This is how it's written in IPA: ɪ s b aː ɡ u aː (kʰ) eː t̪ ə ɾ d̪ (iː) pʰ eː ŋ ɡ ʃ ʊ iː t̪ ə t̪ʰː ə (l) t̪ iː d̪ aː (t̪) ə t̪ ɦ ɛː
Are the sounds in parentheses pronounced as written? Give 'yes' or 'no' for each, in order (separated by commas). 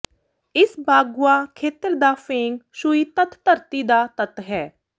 yes, no, no, yes